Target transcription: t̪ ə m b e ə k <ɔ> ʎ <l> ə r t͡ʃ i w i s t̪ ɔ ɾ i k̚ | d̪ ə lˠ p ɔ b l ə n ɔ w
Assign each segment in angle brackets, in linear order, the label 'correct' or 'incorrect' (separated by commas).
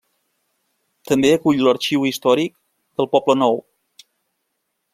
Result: incorrect, correct